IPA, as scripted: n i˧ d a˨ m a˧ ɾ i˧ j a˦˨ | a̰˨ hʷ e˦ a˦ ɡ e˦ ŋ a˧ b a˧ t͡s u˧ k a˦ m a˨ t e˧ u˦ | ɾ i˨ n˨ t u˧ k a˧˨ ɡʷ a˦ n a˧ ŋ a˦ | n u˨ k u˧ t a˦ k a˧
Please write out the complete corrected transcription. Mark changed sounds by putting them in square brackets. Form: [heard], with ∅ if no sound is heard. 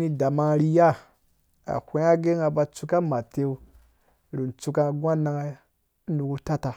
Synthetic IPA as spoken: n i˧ d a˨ m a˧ ɾ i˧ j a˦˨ | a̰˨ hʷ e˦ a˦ ɡ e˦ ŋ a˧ b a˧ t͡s u˧ k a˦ m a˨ t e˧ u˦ | ɾ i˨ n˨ [t͡s] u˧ k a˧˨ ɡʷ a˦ n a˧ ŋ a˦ | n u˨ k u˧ t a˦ [t] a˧

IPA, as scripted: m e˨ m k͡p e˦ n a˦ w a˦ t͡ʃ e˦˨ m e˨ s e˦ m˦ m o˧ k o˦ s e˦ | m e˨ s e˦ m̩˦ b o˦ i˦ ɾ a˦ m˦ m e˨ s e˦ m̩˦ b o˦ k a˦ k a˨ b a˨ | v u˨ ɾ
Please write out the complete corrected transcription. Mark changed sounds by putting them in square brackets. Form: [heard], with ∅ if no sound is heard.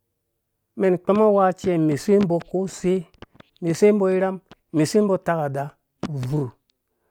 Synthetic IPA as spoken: m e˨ [n] k͡p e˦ [m] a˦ w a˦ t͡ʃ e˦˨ m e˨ s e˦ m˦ [b] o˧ k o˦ s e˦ | m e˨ s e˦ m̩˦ b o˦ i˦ ɾ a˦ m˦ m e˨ s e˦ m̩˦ b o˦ [t] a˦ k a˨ [d] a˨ | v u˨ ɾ

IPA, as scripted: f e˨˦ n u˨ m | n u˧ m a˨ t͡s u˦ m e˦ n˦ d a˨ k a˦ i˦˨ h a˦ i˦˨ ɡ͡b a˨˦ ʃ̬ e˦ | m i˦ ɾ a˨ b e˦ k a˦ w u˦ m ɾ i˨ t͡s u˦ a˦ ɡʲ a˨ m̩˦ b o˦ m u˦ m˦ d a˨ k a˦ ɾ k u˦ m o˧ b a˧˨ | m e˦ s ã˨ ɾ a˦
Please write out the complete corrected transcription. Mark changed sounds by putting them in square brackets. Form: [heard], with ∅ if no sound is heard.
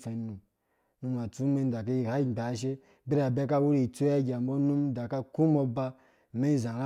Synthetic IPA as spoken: f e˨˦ n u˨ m | n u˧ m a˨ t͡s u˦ m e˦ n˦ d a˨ k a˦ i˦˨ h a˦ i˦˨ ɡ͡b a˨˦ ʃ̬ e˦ | [b] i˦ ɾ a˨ b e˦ k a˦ w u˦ [∅] ɾ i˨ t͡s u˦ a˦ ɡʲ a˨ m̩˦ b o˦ [n] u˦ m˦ d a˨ k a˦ [∅] k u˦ m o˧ b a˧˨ | m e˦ [z] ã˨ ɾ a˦

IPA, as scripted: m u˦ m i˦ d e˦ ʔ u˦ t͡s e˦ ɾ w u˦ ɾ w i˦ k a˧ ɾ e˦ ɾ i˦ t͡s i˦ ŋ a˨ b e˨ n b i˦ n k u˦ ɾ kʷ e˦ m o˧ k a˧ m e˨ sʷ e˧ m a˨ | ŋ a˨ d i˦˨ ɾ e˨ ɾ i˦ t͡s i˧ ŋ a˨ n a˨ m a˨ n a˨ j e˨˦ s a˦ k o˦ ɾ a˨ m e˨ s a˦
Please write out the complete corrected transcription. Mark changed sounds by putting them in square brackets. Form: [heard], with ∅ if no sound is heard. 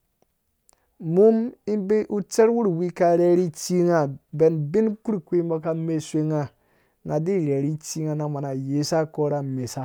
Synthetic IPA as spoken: m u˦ m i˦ [b] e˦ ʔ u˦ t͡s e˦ ɾ w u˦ ɾ w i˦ k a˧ ɾ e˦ ɾ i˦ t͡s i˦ ŋ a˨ b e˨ n b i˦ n k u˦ ɾ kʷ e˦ m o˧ k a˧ m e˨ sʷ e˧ [ŋ] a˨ | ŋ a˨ d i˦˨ ɾ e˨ ɾ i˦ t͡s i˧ ŋ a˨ n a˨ m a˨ n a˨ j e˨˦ s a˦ k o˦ ɾ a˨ m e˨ s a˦

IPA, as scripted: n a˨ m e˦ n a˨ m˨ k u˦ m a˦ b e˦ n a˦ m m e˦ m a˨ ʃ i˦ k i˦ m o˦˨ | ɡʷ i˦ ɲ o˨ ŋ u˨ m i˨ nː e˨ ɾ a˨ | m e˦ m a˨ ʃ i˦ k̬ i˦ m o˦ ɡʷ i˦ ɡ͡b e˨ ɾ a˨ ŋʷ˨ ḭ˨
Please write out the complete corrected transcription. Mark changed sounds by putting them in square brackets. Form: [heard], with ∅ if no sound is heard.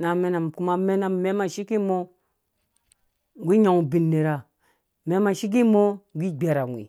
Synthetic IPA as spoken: n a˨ m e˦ n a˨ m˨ k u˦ m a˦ [m] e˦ n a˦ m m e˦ m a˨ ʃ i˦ k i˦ m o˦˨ | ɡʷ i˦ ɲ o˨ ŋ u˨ [b] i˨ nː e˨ ɾ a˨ | m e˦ m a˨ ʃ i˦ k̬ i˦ m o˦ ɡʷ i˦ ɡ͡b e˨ ɾ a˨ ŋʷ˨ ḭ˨

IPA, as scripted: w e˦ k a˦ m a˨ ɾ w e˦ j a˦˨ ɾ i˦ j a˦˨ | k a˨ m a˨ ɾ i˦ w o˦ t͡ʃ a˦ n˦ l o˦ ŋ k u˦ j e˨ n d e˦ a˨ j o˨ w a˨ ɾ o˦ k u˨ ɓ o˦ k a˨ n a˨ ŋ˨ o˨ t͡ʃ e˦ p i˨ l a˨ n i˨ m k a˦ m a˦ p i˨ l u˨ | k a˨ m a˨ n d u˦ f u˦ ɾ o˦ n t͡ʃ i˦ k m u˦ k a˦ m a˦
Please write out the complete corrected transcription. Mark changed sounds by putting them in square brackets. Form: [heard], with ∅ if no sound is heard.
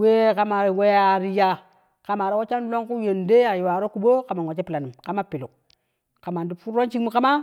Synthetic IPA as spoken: w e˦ k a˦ m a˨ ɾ w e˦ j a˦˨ ɾ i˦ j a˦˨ | k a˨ m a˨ ɾ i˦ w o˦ t͡ʃ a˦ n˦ l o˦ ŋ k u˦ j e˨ n d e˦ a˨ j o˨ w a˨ ɾ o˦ k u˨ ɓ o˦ k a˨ [m] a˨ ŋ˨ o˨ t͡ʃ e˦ p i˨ l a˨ n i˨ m k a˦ m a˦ p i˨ l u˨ | k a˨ m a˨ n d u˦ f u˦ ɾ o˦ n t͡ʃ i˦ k m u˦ k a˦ m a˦

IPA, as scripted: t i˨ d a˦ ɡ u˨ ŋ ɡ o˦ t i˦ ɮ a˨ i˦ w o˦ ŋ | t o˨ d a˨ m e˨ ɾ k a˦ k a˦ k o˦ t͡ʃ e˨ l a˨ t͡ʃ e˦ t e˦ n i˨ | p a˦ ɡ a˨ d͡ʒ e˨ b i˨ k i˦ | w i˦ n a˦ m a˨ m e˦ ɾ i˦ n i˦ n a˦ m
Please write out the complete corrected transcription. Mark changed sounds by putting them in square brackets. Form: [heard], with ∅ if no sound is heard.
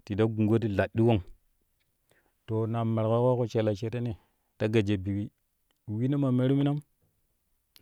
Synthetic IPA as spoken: t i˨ d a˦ ɡ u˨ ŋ ɡ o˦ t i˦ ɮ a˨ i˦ w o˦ ŋ | t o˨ [n] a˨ m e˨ ɾ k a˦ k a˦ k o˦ t͡ʃ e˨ l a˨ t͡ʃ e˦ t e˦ n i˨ | [t] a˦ ɡ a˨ d͡ʒ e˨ b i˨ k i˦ | w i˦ n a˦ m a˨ m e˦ ɾ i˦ [m] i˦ n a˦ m

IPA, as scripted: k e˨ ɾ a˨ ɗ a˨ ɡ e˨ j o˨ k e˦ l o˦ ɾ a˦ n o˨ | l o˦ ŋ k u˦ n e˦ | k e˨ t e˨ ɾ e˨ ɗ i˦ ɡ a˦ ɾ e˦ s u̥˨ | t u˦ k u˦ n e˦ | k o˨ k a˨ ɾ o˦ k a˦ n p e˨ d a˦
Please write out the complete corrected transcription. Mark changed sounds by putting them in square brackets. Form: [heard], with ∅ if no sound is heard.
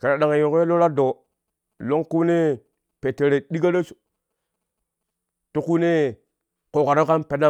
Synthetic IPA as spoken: k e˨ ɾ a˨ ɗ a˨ [ŋ] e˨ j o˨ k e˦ l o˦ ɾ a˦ [d] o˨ | l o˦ ŋ k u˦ n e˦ | [p] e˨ t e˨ ɾ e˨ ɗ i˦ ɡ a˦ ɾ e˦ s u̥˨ | t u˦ k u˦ n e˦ | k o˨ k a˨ ɾ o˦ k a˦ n p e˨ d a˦

